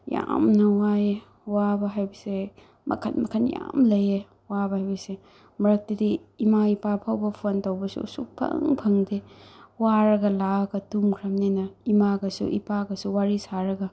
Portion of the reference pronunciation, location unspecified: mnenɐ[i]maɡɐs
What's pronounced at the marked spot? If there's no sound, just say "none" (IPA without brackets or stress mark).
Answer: i